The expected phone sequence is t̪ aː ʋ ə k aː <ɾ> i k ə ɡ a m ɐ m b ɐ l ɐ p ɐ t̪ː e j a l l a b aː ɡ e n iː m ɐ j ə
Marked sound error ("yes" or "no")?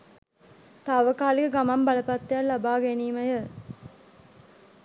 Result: yes